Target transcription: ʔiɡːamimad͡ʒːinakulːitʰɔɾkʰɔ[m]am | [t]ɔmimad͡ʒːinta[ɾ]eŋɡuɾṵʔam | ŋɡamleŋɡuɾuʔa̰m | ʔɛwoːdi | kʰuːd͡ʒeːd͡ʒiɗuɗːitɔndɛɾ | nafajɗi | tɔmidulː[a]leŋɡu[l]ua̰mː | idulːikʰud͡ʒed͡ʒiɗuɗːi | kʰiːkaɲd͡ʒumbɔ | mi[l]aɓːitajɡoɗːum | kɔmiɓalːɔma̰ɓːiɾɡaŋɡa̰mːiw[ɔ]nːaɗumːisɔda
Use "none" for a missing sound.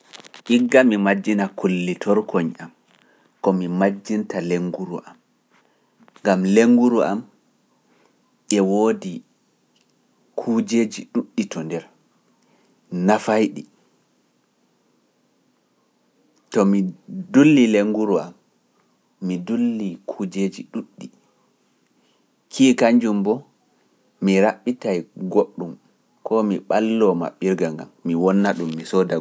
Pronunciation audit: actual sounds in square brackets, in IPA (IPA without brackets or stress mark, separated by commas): ɲ, k, l, i, ɾ, ɾ, ɔ